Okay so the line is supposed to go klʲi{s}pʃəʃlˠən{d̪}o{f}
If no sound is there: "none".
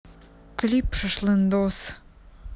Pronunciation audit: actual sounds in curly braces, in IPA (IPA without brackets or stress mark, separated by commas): none, d̪, s